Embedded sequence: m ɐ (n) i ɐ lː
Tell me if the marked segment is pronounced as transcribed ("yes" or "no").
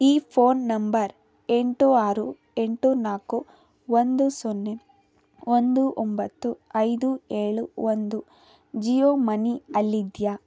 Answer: yes